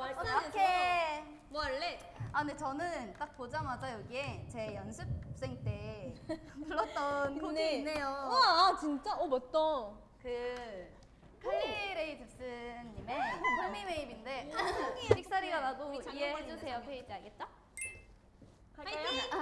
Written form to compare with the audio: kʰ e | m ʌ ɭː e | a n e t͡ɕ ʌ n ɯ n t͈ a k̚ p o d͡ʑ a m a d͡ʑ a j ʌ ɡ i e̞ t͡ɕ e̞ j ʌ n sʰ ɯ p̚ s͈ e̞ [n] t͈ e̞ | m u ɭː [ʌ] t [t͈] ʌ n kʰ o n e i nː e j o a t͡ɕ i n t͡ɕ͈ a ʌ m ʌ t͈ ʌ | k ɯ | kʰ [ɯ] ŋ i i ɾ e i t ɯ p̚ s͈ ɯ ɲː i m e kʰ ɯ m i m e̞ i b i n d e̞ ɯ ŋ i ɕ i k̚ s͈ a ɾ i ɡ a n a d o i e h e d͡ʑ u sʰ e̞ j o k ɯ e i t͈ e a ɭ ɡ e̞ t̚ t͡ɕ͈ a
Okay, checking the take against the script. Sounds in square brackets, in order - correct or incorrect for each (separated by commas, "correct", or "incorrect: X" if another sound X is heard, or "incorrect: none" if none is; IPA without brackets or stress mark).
incorrect: ŋ, correct, correct, correct